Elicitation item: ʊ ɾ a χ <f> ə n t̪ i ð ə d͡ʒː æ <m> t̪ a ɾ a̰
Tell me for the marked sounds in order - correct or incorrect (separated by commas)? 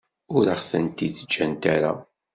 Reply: incorrect, incorrect